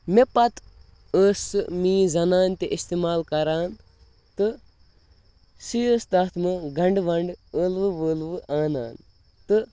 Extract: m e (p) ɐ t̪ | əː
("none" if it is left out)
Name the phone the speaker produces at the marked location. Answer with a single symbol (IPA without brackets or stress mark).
p